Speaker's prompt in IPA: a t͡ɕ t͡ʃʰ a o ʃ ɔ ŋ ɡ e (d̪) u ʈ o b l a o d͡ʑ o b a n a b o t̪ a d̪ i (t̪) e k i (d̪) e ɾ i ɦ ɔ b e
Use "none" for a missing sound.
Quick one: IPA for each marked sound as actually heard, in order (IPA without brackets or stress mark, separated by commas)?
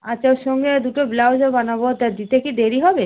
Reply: d̪, t̪, d̪